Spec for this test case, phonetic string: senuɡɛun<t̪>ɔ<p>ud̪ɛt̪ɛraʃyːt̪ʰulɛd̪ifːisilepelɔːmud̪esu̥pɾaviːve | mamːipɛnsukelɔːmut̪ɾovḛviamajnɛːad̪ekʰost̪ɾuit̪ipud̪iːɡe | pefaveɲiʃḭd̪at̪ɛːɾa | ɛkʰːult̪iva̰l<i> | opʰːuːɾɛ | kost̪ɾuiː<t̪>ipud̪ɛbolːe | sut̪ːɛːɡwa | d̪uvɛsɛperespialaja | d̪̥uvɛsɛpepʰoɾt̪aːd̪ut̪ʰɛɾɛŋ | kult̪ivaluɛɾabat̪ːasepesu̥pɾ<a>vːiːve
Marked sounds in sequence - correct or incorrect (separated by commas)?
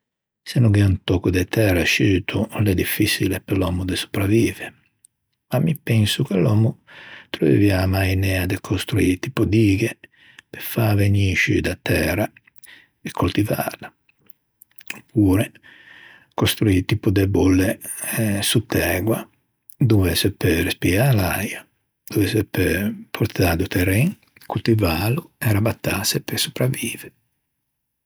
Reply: correct, incorrect, incorrect, correct, correct